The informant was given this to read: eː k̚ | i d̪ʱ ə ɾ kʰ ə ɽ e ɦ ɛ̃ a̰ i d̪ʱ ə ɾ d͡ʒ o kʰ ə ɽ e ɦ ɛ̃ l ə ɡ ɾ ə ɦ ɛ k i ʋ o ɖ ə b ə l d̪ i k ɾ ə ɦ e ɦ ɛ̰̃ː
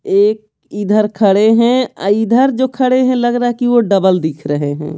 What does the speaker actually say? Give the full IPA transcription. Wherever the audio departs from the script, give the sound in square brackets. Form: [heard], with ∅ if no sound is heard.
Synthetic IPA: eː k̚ | i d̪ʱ ə ɾ kʰ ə ɽ e ɦ ɛ̃ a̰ i d̪ʱ ə ɾ d͡ʒ o kʰ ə ɽ e ɦ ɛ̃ l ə ɡ ɾ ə ɦ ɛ k i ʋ o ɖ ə b ə l d̪ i [kʰ] ɾ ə ɦ e ɦ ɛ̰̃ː

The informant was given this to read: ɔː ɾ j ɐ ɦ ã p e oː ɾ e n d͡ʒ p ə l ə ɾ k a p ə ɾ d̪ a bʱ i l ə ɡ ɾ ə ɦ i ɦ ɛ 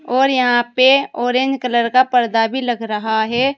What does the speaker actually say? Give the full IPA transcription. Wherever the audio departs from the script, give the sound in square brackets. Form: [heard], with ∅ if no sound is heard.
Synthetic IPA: ɔː ɾ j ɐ ɦ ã p e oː ɾ e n d͡ʒ [k] ə l ə ɾ k a p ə ɾ d̪ a bʱ i l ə ɡ ɾ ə ɦ [a] ɦ ɛ

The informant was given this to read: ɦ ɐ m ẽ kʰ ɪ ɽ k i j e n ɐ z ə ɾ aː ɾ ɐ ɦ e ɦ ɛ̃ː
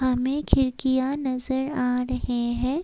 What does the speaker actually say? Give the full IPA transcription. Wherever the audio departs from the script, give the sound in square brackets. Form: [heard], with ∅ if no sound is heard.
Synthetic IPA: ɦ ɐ m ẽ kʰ ɪ [ɾ] k i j [a] n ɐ z ə ɾ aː ɾ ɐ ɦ e ɦ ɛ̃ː

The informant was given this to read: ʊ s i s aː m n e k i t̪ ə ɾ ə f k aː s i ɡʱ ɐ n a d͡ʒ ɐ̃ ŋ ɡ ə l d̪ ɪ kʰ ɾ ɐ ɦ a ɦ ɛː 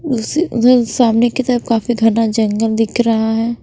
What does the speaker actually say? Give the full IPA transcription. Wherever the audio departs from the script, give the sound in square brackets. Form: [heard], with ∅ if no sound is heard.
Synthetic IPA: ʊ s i s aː m n e k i t̪ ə ɾ ə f k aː [f] i ɡʱ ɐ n a d͡ʒ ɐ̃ ŋ ɡ ə l d̪ ɪ kʰ ɾ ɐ ɦ a ɦ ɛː

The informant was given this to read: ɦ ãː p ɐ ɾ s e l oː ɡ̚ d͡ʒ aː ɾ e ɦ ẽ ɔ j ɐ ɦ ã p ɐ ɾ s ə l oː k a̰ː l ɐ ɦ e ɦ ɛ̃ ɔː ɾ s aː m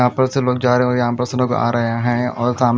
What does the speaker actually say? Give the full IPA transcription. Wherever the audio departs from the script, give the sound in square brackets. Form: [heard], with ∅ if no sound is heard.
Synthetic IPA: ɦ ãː p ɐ ɾ s e l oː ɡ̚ d͡ʒ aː ɾ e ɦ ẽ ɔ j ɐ ɦ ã p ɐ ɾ s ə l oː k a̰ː [ɾ] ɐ ɦ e ɦ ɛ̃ ɔː ɾ s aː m

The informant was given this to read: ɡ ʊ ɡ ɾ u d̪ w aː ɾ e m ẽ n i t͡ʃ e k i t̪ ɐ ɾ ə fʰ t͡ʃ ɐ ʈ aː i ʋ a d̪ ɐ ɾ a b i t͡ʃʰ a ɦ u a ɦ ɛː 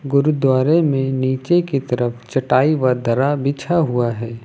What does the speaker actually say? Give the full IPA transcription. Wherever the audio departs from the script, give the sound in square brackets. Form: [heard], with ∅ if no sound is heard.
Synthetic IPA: ɡ ʊ [∅] ɾ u d̪ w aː ɾ e m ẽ n [iː] t͡ʃ e k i t̪ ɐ ɾ ə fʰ t͡ʃ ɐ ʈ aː i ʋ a d̪ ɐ ɾ a b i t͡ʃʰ a ɦ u a ɦ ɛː

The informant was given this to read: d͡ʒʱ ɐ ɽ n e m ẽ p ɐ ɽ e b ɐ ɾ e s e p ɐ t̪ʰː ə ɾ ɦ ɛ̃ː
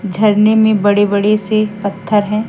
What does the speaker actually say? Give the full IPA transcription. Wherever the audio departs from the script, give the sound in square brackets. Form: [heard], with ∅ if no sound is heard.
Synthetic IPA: d͡ʒʱ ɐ [ɾ] n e m ẽ [b] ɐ ɽ e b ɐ [ɽ] e s e p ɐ t̪ʰː ə ɾ ɦ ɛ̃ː

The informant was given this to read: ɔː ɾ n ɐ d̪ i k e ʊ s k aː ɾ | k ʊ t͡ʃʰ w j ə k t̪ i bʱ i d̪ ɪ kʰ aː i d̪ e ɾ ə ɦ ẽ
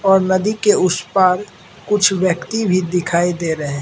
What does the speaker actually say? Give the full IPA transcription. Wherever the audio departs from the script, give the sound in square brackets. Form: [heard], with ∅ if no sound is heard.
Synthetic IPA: ɔː ɾ n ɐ d̪ i k e ʊ s [p] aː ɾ | k ʊ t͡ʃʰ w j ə k t̪ i bʱ i d̪ ɪ kʰ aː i d̪ e ɾ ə ɦ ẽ

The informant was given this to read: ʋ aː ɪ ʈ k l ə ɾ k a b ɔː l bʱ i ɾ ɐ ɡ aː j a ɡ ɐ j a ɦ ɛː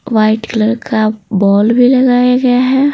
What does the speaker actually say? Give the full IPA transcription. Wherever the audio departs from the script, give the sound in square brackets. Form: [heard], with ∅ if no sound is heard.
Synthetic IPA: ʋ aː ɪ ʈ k l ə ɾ k a b ɔː l bʱ i [l] ɐ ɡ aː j a ɡ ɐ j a ɦ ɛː

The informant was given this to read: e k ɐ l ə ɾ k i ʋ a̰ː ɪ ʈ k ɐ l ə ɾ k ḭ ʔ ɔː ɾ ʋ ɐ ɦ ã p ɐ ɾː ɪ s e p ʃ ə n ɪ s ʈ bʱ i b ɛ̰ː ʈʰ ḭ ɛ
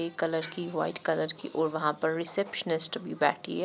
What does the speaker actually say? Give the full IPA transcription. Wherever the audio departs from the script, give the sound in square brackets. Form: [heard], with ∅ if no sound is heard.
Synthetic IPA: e k ɐ l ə ɾ k i ʋ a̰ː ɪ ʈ k ɐ l ə ɾ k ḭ ʔ ɔː ɾ ʋ ɐ ɦ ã p ɐ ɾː ɪ s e p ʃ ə n ɪ s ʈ bʱ i b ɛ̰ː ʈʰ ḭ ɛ

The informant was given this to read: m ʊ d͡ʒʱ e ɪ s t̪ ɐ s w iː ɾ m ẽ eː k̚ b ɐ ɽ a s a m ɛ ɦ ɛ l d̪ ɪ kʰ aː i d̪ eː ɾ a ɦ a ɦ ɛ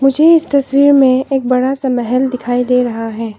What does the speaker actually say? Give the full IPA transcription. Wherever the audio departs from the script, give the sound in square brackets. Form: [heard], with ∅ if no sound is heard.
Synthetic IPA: m ʊ d͡ʒʱ e ɪ s t̪ ɐ s w iː ɾ m ẽ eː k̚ b ɐ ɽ a s a m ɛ ɦ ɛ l d̪ ɪ kʰ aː i d̪ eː ɾ [ɐ] ɦ a ɦ [ɛː]

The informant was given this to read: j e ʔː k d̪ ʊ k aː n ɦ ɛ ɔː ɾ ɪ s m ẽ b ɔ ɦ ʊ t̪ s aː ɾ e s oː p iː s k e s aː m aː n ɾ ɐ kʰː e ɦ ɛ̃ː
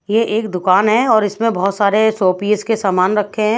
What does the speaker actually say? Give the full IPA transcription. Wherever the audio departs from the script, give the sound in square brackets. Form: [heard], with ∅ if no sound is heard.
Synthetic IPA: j e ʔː k d̪ ʊ k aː n ɦ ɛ ɔː ɾ ɪ s m ẽ b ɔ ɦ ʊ t̪ s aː ɾ e s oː p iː s k e s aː m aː n ɾ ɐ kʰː e ɦ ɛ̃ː

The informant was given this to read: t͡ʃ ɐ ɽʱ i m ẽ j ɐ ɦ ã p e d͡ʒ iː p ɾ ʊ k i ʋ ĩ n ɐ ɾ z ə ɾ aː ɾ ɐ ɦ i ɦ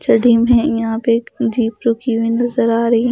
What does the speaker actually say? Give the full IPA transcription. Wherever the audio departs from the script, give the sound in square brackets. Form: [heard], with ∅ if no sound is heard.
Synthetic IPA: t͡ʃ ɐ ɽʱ i m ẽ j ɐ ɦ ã p e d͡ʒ iː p ɾ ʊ k i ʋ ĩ n ɐ [∅] z ə ɾ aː ɾ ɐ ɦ i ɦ

